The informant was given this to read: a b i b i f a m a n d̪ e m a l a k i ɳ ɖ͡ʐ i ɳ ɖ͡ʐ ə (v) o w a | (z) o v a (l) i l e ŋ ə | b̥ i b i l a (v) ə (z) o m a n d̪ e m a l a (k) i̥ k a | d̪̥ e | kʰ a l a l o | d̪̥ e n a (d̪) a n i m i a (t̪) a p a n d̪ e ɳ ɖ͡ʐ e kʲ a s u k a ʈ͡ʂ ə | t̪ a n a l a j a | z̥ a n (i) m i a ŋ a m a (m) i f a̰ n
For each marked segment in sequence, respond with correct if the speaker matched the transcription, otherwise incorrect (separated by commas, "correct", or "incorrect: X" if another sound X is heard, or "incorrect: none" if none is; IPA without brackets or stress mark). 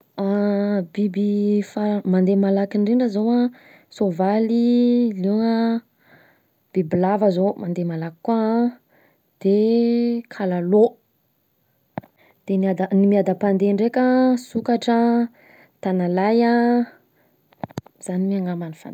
incorrect: z, incorrect: s, correct, correct, correct, correct, correct, incorrect: d̪, correct, incorrect: n